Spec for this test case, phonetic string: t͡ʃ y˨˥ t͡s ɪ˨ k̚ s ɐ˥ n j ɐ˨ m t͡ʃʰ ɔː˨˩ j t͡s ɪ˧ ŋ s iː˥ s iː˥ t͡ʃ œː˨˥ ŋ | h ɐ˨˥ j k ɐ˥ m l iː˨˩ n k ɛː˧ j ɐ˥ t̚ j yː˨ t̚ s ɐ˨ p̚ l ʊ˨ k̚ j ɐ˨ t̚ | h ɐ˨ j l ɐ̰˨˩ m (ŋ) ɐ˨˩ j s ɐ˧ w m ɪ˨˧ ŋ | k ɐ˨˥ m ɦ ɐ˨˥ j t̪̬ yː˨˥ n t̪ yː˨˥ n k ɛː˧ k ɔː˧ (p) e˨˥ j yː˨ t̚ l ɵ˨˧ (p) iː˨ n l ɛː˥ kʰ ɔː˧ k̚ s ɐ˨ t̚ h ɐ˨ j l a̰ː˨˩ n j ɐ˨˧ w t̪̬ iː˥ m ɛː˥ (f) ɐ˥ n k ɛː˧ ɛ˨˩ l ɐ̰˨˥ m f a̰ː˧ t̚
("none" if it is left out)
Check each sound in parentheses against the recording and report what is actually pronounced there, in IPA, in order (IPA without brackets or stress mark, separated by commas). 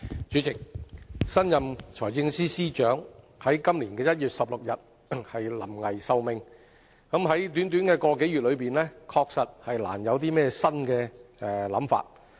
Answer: ŋ, k, p, s